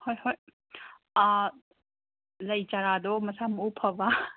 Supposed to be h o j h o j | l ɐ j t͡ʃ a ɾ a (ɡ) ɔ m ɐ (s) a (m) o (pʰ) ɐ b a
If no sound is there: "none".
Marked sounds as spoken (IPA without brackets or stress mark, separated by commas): d, s, m, pʰ